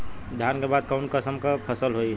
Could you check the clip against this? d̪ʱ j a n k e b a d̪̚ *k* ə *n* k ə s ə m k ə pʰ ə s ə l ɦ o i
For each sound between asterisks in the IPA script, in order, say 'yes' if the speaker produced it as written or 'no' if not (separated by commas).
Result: yes, yes